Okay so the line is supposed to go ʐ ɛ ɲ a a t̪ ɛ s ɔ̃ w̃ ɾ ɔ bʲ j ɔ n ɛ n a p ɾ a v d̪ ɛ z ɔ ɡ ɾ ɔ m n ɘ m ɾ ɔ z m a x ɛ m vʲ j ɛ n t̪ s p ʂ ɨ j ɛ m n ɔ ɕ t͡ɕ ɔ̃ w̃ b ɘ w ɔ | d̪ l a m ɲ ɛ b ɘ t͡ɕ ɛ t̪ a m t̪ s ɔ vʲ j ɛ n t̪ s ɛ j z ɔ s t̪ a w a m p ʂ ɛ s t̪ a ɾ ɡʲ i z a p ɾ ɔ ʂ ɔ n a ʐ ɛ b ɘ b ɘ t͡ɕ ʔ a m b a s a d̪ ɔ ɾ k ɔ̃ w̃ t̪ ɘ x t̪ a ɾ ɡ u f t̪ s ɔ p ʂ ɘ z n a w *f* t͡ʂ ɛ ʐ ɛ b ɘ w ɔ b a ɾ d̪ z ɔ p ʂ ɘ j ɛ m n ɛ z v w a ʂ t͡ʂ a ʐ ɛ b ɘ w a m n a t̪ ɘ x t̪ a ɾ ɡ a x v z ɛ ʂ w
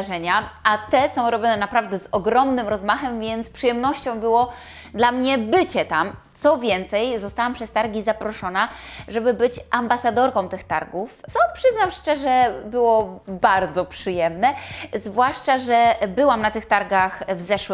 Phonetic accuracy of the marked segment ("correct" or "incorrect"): incorrect